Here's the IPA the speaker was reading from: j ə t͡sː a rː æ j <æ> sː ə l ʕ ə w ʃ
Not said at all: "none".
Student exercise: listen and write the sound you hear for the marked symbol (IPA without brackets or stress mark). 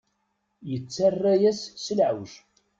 æ